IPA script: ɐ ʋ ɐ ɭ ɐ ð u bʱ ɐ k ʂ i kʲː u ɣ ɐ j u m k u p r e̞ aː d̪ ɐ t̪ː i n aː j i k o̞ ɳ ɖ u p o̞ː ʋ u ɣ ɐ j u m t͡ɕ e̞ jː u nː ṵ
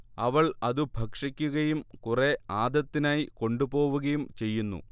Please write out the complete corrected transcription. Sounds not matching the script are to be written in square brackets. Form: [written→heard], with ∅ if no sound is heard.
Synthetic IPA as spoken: ɐ ʋ ɐ ɭ ɐ ð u bʱ ɐ k ʂ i kʲː u ɣ ɐ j u m k u [p→∅] r e̞ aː d̪ ɐ t̪ː i n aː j i k o̞ ɳ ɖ u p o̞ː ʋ u ɣ ɐ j u m t͡ɕ e̞ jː u nː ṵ